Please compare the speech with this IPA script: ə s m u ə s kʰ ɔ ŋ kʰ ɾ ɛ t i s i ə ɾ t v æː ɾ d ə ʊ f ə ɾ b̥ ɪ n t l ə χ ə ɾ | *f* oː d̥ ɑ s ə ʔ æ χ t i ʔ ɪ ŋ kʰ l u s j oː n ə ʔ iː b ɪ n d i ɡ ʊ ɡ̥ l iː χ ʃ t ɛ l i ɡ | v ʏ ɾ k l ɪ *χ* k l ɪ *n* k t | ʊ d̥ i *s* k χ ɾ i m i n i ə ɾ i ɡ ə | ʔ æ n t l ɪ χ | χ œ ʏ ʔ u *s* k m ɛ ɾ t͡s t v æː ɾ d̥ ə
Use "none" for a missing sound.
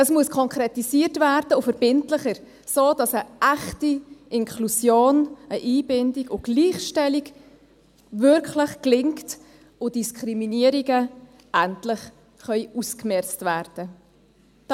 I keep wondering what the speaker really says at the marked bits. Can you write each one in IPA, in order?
s, χ, ŋ, s, s

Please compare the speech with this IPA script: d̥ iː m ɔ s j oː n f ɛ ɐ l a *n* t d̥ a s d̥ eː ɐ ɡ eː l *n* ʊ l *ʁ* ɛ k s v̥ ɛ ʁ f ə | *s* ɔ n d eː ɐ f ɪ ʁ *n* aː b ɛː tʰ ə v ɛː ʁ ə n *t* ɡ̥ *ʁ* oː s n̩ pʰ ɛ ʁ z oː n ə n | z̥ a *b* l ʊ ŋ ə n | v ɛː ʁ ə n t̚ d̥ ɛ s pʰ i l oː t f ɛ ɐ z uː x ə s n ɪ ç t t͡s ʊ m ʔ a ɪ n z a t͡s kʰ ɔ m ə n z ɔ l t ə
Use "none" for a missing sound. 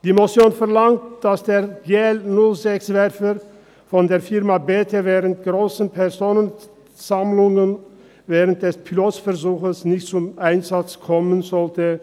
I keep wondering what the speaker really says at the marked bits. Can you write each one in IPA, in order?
ŋ, n, z, f, m, t, ʁ, m

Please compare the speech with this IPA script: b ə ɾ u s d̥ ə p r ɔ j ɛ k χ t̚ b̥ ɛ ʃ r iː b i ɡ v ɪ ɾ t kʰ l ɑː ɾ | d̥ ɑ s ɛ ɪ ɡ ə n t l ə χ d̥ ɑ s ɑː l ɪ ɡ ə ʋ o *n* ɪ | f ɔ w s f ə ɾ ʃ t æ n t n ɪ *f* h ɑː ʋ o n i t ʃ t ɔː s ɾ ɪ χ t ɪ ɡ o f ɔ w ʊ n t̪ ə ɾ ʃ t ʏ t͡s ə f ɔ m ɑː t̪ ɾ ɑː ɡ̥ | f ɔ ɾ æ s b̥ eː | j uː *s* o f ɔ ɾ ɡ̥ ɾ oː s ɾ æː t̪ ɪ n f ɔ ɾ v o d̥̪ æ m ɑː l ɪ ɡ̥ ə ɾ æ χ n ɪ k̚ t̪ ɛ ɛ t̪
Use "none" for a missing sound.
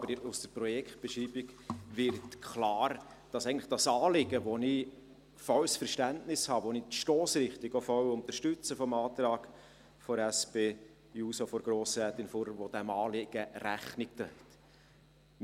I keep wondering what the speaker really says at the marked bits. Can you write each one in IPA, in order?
n, s, s

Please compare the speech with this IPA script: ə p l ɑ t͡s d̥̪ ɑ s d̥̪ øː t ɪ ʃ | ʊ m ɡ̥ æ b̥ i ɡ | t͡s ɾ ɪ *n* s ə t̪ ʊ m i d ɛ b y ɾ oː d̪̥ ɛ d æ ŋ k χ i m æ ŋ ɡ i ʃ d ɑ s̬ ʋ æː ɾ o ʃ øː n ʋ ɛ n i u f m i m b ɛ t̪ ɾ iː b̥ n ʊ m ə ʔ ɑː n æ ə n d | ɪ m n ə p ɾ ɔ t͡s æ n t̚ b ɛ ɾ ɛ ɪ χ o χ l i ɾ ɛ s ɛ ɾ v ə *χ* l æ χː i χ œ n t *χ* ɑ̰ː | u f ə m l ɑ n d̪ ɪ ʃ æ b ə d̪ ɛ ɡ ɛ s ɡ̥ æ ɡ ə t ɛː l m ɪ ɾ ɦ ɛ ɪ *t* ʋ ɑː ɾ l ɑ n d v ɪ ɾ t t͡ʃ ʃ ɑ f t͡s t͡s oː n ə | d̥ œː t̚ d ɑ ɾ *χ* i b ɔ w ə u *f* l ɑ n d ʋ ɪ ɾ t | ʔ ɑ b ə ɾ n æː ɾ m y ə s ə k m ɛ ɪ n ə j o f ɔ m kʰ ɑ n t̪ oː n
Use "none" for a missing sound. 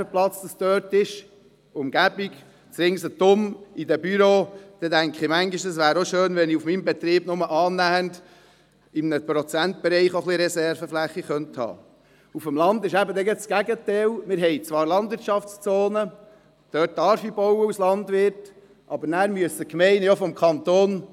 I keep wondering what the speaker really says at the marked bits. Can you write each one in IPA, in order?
ŋ, f, h, t͡s, f, s

